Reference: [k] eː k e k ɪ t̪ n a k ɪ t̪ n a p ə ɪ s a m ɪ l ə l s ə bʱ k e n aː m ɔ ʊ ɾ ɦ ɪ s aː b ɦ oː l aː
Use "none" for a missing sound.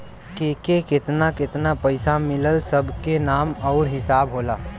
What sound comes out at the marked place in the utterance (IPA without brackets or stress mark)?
k